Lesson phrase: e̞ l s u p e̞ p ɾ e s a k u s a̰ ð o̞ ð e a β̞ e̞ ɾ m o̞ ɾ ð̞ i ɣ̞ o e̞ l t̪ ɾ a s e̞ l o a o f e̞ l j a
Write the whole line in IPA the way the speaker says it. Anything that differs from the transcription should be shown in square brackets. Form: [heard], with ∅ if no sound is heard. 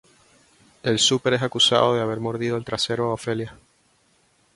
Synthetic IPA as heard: e̞ l s u p e̞ [∅] ɾ e s a k u s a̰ ð o̞ ð e a β̞ e̞ ɾ m o̞ ɾ ð̞ i [ð̞] o e̞ l t̪ ɾ a s e̞ [ɾ] o a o f e̞ l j a